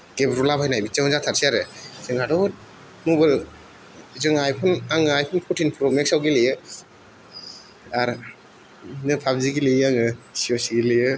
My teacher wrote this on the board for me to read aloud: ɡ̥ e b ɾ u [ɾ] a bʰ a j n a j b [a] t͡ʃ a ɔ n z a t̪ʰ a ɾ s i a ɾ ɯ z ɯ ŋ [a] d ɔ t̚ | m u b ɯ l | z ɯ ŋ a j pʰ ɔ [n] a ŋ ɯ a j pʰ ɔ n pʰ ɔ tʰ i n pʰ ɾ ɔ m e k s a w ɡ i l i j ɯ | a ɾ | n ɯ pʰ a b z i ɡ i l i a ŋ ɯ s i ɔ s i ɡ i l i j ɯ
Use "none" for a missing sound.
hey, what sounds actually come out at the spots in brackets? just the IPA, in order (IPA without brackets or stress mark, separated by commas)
l, i, a, n